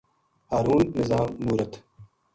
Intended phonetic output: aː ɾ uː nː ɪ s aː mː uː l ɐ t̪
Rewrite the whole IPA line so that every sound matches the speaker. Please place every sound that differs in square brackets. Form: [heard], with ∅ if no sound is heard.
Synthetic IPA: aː ɾ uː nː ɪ [z] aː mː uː [ɾ] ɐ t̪